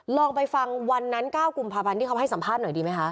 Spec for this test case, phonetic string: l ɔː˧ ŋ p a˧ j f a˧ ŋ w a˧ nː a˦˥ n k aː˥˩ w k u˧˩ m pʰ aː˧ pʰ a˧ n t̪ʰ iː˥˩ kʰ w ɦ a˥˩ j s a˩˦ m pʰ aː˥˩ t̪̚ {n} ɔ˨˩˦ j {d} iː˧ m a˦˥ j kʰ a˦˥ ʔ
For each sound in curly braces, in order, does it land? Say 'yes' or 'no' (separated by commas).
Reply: yes, yes